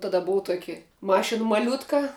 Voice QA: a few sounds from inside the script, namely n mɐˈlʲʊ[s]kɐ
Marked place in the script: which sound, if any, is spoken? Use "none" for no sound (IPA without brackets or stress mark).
t